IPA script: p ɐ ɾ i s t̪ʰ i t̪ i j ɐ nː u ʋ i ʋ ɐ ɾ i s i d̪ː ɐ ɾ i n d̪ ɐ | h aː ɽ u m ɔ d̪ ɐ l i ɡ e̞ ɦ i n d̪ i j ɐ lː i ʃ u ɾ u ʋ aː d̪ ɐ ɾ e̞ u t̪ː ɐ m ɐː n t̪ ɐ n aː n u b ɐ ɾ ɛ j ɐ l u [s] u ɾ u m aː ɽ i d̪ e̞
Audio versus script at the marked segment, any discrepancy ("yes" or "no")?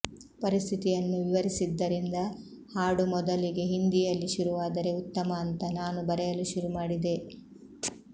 yes